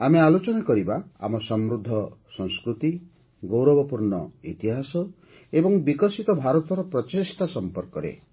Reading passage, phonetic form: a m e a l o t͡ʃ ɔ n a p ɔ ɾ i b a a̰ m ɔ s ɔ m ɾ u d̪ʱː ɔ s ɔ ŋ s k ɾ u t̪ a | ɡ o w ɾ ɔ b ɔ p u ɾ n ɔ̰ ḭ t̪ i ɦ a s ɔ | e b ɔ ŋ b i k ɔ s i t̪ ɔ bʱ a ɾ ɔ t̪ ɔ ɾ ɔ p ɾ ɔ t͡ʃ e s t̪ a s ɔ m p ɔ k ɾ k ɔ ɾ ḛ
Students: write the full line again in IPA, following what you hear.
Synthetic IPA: a m e a l o t͡ʃ ɔ n a k ɔ ɾ i b a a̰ m ɔ s ɔ m ɾ u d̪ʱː ɔ s ɔ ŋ s k ɾ u t̪ i | ɡ o w ɾ ɔ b ɔ p u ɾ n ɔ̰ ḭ t̪ i ɦ a s ɔ | e b ɔ ŋ b i k ɔ s i t̪ ɔ bʱ a ɾ ɔ t̪ ɔ ɾ ɔ p ɾ ɔ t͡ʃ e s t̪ a s ɔ m p ɔ ɾ k ɔ ɾ ḛ

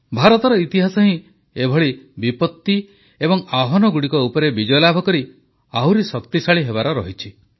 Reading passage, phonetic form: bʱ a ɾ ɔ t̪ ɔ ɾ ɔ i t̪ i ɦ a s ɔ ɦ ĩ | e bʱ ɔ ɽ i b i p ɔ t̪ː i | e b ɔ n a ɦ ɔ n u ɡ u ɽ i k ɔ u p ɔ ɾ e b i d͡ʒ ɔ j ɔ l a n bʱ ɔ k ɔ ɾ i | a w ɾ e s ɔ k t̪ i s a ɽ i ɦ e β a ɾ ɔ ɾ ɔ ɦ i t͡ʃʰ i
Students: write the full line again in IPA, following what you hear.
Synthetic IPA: bʱ a ɾ ɔ t̪ ɔ ɾ ɔ i t̪ i ɦ a s ɔ ɦ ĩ | e bʱ ɔ ɭ i b i p ɔ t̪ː i | e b ɔ ŋ a ɦ ɔ n ɔ ɡ u ɽ i k ɔ u p ɔ ɾ e b i d͡ʒ ɔ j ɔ l a bʱ ɔ k ɔ ɾ i | a w ɾ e s ɔ k t̪ i s a ɭ i ɦ e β a ɾ ɔ ɾ ɔ ɦ i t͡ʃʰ i

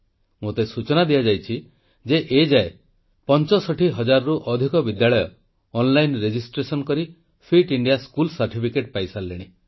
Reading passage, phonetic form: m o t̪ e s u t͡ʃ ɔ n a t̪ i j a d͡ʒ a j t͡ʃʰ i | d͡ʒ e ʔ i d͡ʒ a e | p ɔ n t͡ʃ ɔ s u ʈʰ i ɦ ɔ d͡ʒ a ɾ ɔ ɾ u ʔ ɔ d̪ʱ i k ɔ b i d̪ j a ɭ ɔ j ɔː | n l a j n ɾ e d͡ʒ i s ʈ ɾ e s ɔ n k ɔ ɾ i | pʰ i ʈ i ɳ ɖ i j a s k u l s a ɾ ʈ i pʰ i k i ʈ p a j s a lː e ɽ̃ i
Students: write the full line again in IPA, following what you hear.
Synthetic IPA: m o t̪ e s u t͡ʃ ɔ n a d̪ i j a d͡ʒ a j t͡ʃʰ i | d͡ʒ e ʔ e d͡ʒ a e | p ɔ n t͡ʃ ɔ s ɔ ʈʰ i ɦ ɔ d͡ʒ a ɾ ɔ ɾ u ʔ ɔ d̪ʱ i k ɔ b i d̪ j a ɭ ɔ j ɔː | n l a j n ɾ e d͡ʒ i s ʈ ɾ e s ɔ n k ɔ ɾ i | pʰ i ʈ i ɳ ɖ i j a s k u l s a ɾ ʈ i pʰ i k e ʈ p a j s a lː e ɽ̃ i

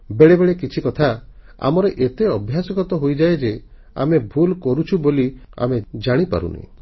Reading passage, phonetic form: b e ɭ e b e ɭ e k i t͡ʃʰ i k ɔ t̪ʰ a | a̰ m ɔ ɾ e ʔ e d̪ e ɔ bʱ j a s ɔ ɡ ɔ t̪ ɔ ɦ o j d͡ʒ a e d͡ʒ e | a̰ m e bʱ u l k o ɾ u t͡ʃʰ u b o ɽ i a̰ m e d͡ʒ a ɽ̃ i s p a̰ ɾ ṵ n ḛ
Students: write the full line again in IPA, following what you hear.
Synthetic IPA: b e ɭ e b e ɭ e k i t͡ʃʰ i k ɔ t̪ʰ a | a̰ m ɔ ɾ e ʔ e t̪ e ɔ bʱ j a s ɔ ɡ ɔ t̪ ɔ ɦ o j d͡ʒ a e d͡ʒ e | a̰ m e bʱ u l k ɔ ɾ u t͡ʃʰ u b o l i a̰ m e d͡ʒ a ɽ̃ i p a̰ ɾ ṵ n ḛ

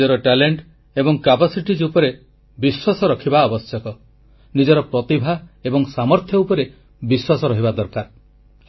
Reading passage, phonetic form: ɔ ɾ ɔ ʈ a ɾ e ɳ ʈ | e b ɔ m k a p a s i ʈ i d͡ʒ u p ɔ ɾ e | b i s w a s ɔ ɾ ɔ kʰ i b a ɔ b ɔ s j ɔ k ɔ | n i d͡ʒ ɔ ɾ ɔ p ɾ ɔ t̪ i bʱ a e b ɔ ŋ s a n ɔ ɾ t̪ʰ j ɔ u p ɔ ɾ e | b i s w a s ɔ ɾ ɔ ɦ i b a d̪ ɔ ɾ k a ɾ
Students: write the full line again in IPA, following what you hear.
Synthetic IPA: ɔ ɾ ɔ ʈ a l e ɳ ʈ | e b ɔ ŋ k a p a s i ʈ i d͡ʒ u p ɔ ɾ e | b i s w a s ɔ ɾ ɔ kʰ i b a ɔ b ɔ s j ɔ k ɔ | n i d͡ʒ ɔ ɾ ɔ p ɾ ɔ t̪ i bʱ a e b ɔ ŋ s a m ɔ ɾ t̪ʰ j ɔ u p ɔ ɾ e | b i s w a s ɔ ɾ ɔ ɦ i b a d̪ ɔ ɾ k a ɾ

